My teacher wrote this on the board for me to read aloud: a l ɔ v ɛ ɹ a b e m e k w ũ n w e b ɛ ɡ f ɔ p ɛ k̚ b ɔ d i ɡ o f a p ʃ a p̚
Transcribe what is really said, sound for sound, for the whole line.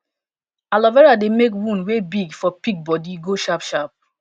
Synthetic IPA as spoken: a l ɔ v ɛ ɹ a d e m e k w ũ n w e b i ɡ f ɔ p i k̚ b ɔ d i ɡ o ʃ a p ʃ a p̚